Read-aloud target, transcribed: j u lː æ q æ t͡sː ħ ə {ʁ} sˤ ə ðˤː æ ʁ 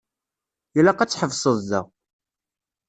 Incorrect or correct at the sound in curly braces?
incorrect: v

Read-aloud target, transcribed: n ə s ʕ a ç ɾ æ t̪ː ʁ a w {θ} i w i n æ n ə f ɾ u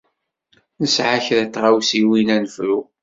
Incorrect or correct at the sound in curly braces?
incorrect: s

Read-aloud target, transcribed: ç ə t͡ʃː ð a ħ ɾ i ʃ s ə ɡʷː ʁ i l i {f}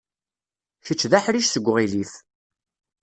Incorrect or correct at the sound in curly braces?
incorrect: θ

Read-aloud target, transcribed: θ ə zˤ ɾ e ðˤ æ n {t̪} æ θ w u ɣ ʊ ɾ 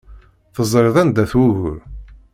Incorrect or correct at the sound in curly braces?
incorrect: d̪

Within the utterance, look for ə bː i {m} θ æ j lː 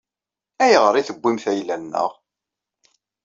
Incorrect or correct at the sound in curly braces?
correct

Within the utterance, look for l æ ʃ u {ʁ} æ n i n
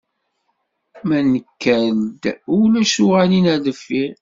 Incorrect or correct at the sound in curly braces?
correct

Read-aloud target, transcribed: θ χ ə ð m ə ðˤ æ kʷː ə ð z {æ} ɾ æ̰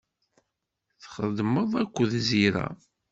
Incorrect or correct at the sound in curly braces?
incorrect: i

